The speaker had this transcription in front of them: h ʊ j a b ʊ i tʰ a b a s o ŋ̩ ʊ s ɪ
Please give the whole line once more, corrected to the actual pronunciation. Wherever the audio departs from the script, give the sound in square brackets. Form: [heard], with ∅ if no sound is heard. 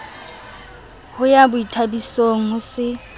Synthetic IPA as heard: h ʊ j a b ʊ i tʰ a b [i] s o ŋ̩ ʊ s ɪ